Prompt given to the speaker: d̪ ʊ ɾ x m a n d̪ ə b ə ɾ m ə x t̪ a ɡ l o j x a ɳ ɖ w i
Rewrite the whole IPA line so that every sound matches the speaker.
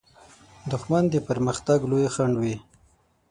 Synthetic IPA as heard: d̪ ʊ x m a n d̪ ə p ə ɾ m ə x t̪ a ɡ l o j x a ɳ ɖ w i